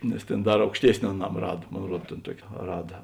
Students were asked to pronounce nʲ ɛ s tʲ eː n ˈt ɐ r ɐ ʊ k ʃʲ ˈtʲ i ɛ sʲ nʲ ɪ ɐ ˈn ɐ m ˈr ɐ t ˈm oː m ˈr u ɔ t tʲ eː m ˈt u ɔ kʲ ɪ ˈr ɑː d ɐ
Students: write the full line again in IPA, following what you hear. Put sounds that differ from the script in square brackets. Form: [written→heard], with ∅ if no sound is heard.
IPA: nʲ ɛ s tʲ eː n [ˈt→ˈd] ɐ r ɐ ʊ k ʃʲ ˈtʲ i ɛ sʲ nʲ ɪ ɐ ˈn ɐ m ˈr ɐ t ˈm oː [m→n] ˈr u ɔ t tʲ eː [m→n] ˈt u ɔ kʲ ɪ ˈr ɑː d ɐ